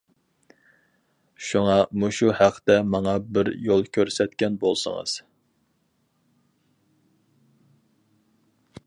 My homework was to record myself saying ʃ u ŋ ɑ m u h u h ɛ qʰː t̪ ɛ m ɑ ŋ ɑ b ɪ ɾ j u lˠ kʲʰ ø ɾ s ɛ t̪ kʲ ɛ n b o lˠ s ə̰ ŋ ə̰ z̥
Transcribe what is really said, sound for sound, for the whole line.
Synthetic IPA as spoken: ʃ u ŋ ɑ m u ʃ u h æ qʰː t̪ ɛ m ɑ ŋ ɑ b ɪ ɾ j o lˠ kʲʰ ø ɾ s ɛ t̪ kʲ ɛ n b o lˠ s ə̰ ŋ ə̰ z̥